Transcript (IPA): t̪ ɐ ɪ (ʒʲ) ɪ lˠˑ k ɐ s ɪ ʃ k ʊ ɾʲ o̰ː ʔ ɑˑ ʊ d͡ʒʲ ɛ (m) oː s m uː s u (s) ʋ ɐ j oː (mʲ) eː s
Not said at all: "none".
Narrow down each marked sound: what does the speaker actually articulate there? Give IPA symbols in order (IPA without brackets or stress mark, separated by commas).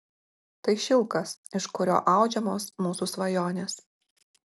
ʃʲ, m, s, nʲ